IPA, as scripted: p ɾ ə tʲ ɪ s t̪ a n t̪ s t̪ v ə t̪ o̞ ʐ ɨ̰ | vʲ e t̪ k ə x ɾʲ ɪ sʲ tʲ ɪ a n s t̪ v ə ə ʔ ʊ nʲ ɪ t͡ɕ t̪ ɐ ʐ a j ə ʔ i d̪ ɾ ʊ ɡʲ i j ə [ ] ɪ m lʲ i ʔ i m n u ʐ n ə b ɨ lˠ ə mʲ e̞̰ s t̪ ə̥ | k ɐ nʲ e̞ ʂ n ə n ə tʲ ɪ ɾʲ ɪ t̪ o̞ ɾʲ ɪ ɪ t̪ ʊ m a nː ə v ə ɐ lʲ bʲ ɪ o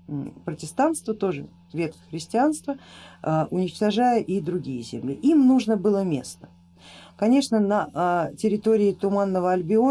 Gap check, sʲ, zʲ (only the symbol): zʲ